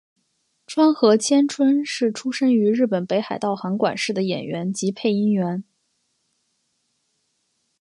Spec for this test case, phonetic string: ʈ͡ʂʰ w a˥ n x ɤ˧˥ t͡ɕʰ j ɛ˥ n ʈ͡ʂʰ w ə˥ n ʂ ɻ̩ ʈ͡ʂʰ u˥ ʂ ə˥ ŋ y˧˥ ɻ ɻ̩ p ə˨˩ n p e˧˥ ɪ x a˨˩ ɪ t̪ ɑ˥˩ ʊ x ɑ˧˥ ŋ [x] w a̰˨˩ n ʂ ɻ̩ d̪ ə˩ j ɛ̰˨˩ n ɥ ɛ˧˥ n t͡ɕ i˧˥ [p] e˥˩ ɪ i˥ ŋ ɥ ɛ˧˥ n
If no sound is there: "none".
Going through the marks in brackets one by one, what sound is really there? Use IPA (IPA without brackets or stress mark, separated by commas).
k, pʰ